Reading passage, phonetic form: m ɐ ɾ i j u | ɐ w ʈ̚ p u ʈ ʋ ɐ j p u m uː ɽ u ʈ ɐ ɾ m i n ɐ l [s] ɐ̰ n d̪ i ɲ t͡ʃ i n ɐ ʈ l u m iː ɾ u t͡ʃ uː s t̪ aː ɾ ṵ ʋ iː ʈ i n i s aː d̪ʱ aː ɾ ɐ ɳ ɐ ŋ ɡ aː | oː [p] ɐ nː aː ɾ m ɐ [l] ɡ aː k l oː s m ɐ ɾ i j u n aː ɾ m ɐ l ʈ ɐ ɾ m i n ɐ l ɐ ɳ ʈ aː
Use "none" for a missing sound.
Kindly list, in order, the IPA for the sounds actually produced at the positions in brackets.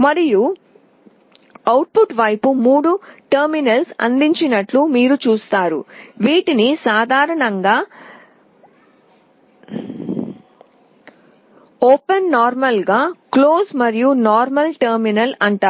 s, p, l

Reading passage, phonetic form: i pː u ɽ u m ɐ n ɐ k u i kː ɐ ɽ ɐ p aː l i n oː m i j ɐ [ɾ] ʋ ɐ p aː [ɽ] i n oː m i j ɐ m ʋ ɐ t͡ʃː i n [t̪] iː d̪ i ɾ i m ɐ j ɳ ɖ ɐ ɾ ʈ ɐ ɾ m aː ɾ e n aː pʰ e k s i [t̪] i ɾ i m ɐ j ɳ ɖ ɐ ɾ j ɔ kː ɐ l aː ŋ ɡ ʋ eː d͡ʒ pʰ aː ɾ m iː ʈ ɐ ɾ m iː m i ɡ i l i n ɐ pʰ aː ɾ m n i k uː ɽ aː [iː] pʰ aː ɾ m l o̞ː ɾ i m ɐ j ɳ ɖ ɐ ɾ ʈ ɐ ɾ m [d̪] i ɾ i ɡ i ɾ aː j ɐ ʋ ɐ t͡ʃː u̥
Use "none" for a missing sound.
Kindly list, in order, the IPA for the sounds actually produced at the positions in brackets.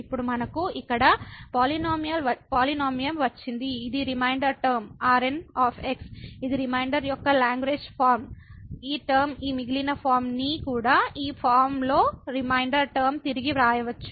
l, l, d̪, d̪, iː, t̪

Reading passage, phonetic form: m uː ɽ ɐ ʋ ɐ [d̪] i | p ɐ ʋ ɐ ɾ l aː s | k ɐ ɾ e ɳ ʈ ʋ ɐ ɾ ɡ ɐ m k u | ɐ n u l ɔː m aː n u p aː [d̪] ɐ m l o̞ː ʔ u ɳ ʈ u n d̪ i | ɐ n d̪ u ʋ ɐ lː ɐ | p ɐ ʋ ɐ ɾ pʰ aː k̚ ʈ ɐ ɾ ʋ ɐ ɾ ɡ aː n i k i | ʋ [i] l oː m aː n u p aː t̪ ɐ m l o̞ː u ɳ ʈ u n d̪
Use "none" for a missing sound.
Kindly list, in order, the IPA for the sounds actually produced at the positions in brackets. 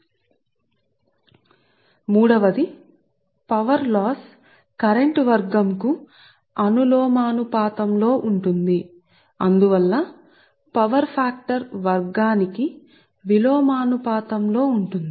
d̪, t̪, i

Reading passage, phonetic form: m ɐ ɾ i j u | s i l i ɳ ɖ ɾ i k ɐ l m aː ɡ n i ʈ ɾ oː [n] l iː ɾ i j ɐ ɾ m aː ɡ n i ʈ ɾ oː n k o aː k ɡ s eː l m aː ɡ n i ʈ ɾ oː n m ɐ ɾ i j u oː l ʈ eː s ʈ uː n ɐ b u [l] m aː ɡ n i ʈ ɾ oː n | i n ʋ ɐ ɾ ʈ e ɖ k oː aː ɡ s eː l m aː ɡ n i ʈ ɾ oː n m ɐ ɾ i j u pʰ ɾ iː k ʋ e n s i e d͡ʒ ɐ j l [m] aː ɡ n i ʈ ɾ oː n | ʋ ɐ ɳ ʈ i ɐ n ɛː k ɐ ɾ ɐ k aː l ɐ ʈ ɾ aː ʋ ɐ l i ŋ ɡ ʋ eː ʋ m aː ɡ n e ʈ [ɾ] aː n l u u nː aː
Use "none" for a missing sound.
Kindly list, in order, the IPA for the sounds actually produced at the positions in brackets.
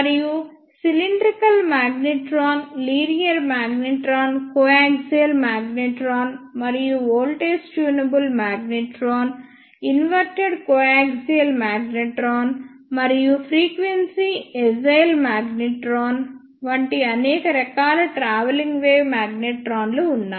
n, l, m, ɾ

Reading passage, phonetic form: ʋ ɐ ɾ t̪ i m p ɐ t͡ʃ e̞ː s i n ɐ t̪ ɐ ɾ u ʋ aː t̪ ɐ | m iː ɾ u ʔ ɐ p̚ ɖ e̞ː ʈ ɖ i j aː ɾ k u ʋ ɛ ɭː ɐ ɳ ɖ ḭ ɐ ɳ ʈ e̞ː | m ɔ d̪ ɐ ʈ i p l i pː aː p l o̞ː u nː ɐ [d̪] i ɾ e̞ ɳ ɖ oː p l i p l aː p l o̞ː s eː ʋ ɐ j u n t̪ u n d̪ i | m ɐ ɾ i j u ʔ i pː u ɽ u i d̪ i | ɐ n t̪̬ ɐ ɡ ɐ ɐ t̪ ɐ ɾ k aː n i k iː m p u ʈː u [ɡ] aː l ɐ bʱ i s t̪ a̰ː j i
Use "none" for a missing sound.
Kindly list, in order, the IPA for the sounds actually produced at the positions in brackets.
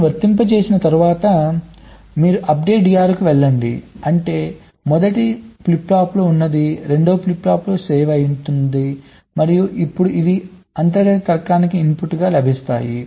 d̪, ɡ

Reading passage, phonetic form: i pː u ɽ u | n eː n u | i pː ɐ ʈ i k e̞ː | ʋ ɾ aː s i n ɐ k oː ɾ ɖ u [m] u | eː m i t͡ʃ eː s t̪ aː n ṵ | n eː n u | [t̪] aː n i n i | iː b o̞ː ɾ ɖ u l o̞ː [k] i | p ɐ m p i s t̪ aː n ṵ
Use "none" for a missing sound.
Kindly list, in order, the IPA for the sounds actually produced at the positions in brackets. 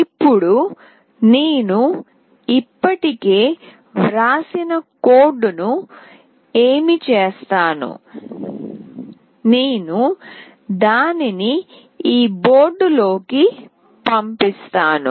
n, d̪, k

